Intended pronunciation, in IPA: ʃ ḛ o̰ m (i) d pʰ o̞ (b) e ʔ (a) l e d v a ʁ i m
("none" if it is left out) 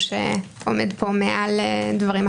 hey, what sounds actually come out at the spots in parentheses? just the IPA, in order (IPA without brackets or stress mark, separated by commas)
e, m, a